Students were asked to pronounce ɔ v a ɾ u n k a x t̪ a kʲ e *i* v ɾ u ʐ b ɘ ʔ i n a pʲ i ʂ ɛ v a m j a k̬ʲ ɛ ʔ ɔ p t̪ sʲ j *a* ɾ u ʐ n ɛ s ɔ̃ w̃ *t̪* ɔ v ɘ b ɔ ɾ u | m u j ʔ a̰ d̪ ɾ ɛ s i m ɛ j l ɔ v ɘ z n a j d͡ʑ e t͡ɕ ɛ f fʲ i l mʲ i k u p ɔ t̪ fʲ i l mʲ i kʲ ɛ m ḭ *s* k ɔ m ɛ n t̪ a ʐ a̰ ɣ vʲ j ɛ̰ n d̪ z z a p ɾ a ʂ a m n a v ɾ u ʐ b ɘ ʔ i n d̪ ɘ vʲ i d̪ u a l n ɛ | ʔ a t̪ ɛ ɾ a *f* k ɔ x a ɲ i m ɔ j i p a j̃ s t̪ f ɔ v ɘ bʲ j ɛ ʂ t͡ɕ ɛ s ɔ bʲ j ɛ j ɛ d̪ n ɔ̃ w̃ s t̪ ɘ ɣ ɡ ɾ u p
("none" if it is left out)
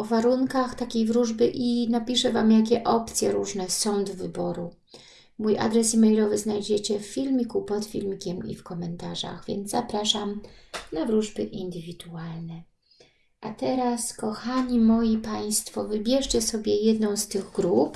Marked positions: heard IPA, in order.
j, ɛ, d̪, f, s

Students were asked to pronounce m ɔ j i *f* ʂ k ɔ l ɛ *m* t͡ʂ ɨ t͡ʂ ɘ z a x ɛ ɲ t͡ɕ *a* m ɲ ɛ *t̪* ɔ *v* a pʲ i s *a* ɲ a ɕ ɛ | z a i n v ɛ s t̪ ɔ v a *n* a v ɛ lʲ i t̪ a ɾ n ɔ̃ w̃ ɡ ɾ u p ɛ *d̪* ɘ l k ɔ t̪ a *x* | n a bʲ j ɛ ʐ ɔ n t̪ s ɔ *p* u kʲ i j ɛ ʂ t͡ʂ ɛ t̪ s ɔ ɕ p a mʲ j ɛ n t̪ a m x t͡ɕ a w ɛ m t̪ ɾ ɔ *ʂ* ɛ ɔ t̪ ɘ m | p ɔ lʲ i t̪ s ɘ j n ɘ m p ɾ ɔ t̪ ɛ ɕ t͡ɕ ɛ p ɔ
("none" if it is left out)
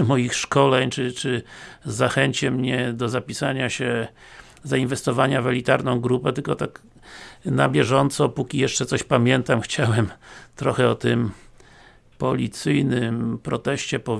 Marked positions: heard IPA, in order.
x, ɲ, ɛ, d̪, z, a, ɲ, t̪, k, p, x

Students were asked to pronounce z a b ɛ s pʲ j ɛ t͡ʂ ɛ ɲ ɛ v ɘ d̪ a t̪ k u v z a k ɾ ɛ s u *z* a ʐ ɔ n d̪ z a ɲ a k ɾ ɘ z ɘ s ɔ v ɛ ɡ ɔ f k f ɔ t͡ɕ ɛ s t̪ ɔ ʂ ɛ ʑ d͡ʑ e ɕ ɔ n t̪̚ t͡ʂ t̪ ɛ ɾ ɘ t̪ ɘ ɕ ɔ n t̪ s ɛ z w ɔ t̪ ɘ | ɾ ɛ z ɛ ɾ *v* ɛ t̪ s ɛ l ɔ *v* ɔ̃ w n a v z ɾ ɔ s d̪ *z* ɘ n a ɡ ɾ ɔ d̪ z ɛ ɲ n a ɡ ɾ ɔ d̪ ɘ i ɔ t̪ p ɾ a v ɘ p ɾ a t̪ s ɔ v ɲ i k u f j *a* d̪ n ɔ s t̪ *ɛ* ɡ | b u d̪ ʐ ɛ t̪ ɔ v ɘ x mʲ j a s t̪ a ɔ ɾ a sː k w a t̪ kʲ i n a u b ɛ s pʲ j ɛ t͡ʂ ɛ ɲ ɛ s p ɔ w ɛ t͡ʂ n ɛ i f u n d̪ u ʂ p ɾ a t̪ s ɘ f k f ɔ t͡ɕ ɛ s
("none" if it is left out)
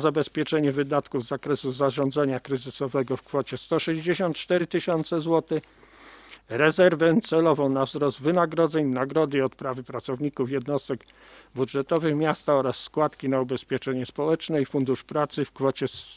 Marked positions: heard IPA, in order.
z, v, v, v, ɛ, ɛ

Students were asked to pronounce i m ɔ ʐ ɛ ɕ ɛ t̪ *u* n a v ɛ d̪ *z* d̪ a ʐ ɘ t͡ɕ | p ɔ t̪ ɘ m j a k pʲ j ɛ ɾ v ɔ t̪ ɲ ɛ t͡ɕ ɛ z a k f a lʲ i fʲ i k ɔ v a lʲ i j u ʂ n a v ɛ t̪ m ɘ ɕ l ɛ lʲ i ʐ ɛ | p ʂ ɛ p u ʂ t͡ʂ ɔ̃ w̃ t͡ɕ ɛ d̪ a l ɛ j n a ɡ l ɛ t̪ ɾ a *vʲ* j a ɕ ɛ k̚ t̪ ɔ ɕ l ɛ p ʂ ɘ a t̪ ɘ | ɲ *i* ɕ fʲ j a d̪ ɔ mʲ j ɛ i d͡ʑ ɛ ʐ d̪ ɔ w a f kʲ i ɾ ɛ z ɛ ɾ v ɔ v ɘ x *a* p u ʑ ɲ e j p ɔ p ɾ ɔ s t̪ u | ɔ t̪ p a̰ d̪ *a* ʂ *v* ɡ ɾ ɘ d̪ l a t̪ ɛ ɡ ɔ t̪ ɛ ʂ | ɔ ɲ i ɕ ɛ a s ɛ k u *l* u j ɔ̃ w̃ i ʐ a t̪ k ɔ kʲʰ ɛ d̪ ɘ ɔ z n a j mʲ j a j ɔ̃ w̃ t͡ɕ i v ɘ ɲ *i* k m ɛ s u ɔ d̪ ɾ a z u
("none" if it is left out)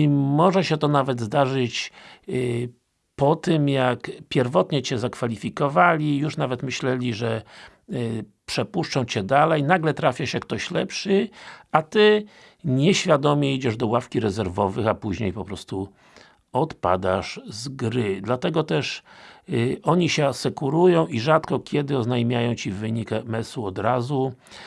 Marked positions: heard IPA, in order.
ɔ, z, fʲ, ɛ, a, a, z, ɾ, i

